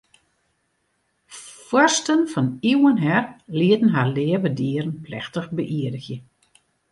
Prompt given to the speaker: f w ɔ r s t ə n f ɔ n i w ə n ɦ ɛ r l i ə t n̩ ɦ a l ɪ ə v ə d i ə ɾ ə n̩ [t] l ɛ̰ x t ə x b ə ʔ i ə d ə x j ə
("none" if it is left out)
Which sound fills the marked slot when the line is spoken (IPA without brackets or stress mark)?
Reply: p